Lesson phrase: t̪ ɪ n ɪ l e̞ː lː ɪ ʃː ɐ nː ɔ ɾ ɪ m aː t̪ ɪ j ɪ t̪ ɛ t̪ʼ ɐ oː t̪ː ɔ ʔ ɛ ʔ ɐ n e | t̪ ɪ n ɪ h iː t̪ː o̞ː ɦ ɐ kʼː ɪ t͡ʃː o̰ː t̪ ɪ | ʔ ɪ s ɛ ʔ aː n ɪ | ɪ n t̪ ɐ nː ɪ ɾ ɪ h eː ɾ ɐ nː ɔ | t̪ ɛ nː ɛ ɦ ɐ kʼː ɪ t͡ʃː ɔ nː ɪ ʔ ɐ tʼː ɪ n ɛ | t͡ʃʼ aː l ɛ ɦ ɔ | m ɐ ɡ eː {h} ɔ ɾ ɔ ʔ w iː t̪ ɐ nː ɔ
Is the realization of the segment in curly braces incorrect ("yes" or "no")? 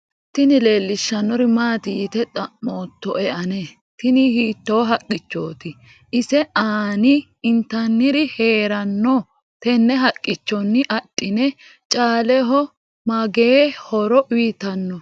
no